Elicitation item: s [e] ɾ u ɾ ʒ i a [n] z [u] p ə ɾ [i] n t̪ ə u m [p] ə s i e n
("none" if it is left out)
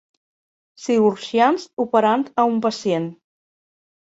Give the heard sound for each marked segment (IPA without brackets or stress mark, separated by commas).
i, n, u, a, p